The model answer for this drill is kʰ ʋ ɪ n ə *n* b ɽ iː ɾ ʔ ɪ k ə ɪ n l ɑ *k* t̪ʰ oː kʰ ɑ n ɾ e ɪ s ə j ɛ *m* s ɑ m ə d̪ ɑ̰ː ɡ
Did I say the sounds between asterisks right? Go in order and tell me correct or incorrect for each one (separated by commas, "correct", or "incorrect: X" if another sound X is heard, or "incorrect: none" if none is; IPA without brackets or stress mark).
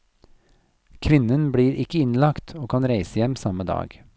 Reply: correct, correct, correct